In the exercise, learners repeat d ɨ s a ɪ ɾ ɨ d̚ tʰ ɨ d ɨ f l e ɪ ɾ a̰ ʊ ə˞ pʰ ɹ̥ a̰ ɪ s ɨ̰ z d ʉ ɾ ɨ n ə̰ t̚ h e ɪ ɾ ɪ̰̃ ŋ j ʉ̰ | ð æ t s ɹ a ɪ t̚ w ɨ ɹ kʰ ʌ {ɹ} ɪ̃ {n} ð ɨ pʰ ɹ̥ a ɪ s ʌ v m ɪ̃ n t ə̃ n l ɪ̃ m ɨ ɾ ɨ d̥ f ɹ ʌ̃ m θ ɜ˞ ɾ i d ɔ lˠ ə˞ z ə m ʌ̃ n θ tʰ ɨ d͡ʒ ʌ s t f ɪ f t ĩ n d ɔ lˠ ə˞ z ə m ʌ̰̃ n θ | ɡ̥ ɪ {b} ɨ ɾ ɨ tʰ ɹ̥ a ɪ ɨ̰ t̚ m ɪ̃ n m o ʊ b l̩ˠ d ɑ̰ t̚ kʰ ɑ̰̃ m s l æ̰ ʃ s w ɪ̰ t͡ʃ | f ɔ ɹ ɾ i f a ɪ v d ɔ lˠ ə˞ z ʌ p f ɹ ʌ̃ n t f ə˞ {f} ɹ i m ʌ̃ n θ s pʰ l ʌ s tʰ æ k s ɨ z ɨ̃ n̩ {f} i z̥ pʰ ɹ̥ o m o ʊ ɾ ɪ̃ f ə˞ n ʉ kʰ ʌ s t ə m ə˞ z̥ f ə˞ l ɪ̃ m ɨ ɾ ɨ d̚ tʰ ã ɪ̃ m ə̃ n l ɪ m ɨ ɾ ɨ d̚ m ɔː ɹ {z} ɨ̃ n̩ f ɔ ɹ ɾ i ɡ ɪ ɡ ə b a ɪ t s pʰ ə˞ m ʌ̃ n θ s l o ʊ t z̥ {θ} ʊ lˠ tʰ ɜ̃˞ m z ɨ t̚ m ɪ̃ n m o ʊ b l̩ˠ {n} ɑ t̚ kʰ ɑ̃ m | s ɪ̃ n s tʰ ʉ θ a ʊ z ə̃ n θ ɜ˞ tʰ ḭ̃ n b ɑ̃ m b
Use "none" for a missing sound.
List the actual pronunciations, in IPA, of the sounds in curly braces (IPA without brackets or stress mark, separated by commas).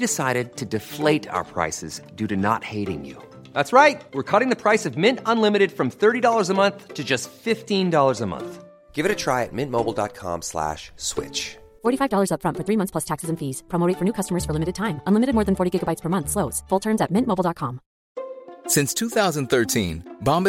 ɾ, ŋ, v, θ, f, ð, f, d